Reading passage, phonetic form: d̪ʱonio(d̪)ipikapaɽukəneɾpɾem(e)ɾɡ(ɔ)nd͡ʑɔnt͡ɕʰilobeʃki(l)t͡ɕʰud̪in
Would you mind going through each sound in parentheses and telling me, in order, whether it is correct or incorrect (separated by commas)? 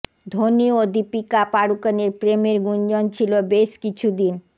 correct, correct, incorrect, incorrect